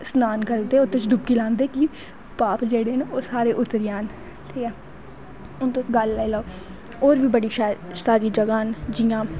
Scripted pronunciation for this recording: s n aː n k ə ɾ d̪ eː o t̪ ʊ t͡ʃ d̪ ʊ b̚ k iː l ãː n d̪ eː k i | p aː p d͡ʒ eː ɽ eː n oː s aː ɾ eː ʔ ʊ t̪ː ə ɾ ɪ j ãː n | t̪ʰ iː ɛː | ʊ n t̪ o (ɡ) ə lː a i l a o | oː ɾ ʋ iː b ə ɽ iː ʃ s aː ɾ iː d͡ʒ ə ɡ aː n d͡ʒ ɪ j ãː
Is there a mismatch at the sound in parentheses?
no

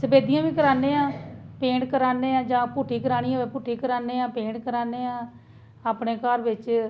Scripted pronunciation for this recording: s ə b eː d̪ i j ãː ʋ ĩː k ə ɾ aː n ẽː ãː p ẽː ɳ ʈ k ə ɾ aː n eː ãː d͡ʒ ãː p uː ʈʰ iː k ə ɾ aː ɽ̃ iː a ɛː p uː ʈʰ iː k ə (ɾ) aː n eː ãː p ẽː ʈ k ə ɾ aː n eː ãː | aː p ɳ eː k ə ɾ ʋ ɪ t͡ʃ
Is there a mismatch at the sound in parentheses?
no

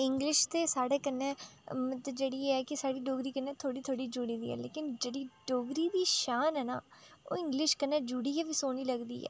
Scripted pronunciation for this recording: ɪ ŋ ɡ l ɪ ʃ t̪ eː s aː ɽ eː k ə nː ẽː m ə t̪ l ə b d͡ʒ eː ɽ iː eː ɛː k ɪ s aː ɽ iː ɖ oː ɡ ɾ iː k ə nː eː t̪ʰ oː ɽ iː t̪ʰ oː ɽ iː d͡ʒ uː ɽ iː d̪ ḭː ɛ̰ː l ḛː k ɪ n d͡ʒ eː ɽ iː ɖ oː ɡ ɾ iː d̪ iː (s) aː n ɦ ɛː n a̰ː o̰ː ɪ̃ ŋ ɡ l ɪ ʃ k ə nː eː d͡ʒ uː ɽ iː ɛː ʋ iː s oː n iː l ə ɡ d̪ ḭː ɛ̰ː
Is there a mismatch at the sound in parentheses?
yes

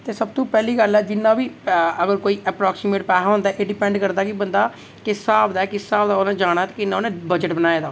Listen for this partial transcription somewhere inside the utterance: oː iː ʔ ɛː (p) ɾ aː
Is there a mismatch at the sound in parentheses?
no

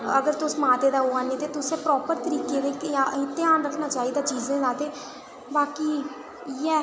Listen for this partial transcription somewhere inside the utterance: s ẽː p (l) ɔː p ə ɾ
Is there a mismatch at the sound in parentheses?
yes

